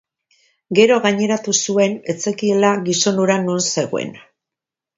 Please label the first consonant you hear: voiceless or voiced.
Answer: voiced